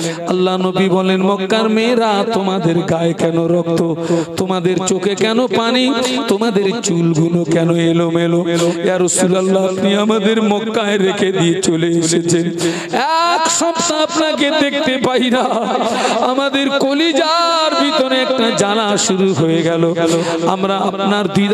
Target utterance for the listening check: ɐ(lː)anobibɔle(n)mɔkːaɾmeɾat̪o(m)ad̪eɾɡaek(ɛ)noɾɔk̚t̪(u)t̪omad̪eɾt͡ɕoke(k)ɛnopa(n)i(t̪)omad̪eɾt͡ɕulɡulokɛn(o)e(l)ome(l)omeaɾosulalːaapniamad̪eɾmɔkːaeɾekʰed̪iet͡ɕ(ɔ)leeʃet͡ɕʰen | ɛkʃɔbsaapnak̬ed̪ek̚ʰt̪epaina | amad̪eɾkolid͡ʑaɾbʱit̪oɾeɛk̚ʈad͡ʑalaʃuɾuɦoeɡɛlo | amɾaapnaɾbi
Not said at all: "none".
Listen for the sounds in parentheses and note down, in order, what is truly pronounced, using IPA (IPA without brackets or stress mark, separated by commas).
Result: lː, n, m, ɛ, o, k, n, t̪, o, l, l, o